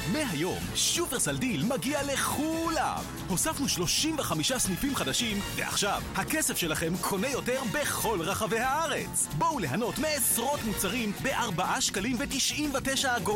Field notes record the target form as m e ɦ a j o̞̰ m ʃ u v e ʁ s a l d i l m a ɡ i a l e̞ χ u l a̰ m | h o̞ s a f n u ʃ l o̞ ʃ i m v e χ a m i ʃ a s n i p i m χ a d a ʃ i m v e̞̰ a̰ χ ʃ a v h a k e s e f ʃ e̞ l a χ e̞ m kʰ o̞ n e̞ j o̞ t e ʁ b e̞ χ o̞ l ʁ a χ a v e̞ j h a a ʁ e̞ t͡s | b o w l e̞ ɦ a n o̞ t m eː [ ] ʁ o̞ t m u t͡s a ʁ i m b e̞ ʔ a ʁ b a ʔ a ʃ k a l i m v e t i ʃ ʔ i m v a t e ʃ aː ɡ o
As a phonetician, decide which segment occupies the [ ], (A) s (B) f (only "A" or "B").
A